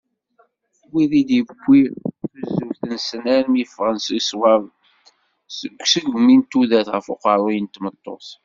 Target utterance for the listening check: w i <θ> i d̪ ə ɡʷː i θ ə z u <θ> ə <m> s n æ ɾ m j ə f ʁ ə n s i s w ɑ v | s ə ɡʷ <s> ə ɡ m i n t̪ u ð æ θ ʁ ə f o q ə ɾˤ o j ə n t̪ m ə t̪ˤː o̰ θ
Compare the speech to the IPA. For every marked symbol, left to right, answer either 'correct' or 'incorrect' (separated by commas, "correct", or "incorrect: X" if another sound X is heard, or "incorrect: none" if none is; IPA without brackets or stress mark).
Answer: incorrect: ð, correct, incorrect: n, correct